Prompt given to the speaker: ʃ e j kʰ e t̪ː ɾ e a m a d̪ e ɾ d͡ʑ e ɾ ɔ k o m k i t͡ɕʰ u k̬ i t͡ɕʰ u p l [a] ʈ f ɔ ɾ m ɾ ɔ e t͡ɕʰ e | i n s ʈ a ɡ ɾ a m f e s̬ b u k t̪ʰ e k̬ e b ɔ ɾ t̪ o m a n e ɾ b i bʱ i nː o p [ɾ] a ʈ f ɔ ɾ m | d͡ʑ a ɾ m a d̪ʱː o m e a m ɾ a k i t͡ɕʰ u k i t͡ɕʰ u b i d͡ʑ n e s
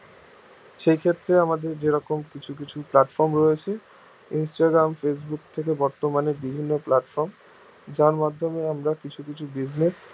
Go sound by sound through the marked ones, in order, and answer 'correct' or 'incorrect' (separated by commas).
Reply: correct, incorrect